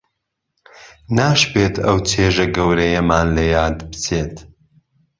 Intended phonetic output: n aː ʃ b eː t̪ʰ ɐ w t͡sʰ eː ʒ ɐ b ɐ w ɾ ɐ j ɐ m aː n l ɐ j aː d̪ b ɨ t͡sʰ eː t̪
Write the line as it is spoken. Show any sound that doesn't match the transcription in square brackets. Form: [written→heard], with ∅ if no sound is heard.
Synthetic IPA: n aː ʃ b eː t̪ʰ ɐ w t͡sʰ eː ʒ ɐ [b→ɡ] ɐ w ɾ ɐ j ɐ m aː n l ɐ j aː d̪ b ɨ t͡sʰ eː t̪

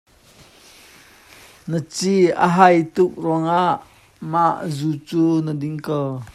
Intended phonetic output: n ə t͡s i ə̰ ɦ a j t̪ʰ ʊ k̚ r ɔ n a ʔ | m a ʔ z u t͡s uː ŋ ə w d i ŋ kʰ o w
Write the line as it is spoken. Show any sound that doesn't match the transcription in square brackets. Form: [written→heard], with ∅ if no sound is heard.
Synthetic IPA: n ə t͡s i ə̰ ɦ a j [t̪ʰ→t̪] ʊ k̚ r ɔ [n→ŋ] a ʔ | m a ʔ z u t͡s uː [ŋ→n] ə [w→∅] d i ŋ [kʰ→k] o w

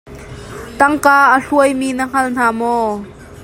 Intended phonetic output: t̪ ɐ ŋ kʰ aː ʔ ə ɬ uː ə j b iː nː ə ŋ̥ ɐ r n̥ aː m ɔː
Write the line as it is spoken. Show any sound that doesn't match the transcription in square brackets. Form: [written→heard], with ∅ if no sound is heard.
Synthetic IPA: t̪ ɐ ŋ [kʰ→k] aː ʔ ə ɬ [uː→u] ə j [b→m] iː [nː→n] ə ŋ̥ ɐ [r→l] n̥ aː m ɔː

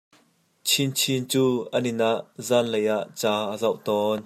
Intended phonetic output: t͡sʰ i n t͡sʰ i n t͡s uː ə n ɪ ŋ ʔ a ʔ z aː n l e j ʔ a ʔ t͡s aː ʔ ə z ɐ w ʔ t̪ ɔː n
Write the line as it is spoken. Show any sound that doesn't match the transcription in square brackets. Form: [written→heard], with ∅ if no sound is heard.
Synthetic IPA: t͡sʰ i n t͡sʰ i n t͡s uː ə n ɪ [ŋ→n] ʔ a ʔ z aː n l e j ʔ a ʔ t͡s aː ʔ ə z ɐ w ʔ t̪ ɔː n

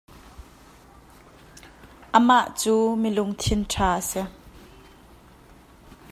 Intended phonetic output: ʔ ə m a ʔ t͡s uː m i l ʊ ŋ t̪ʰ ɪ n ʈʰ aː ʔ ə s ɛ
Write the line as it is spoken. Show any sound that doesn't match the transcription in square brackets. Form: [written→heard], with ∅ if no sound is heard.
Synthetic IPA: ʔ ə m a ʔ t͡s uː m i l ʊ ŋ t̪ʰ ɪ n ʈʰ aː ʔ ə s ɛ

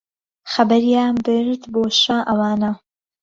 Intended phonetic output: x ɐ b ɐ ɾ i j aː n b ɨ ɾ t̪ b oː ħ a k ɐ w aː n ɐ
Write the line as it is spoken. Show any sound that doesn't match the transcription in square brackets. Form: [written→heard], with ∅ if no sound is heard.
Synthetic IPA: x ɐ b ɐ ɾ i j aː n b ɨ ɾ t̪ b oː [ħ→ʃ] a [k→ʔ] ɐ w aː n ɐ

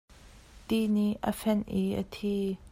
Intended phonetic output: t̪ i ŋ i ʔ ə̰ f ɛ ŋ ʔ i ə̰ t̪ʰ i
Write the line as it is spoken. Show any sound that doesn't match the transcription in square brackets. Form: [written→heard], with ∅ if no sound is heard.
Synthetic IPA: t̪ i [ŋ→n] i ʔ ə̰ f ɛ [ŋ→n] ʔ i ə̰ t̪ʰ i

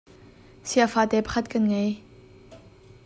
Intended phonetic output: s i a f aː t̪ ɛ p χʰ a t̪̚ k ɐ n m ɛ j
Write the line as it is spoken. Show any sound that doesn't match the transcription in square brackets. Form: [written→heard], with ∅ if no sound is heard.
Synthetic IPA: s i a f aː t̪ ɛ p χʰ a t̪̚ k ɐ n [m→ŋ] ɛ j

